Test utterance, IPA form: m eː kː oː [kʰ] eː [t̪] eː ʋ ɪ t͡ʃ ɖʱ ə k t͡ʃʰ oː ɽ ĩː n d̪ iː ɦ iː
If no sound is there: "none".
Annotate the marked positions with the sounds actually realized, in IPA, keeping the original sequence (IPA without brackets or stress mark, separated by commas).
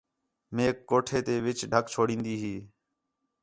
ʈʰ, t̪